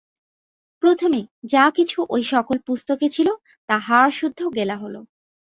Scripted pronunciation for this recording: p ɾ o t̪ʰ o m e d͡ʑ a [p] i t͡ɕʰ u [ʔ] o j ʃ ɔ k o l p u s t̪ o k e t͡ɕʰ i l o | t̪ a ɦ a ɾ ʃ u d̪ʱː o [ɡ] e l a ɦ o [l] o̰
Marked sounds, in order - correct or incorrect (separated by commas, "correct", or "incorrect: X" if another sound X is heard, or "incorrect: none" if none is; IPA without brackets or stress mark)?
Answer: incorrect: k, correct, correct, correct